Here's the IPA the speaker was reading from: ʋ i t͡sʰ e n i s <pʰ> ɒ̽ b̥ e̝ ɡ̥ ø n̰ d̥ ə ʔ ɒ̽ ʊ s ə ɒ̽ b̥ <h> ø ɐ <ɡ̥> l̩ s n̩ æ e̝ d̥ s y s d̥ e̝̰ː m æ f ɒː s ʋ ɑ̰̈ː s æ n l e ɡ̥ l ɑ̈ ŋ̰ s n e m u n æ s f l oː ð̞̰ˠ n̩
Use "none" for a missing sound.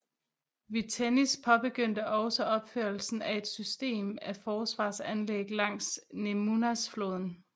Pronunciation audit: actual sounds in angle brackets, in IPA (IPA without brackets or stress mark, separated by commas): pʰ, f, none